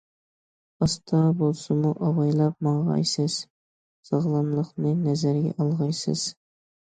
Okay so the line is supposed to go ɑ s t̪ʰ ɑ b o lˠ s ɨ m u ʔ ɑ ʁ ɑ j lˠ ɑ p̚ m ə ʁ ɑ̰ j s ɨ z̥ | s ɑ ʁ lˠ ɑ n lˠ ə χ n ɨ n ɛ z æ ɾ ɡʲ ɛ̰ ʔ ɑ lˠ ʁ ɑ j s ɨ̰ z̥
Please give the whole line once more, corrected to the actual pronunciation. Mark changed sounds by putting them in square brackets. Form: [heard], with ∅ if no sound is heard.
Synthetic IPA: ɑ s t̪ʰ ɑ b o lˠ s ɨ m u ʔ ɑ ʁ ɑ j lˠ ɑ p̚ m [ɑ] ʁ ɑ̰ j s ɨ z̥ | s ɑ ʁ lˠ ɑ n lˠ ə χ n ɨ n ɛ z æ ɾ ɡʲ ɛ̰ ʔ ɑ lˠ ʁ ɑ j s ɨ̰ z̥